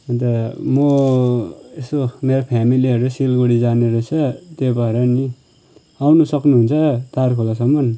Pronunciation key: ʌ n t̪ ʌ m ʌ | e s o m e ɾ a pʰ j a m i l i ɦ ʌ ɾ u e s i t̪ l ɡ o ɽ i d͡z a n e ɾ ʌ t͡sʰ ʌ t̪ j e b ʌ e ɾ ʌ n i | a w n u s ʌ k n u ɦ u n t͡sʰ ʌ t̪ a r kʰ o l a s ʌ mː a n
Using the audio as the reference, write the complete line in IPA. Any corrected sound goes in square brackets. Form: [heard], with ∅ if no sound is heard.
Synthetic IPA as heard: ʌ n t̪ ʌ m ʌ | e s o m e ɾ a pʰ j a m i l i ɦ ʌ ɾ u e s i [∅] l ɡ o ɽ i d͡z a n e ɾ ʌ t͡sʰ ʌ t̪ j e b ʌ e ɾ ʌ n i | a w n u s ʌ k n u ɦ u n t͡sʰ ʌ t̪ a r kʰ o l a s ʌ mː [ʌ] n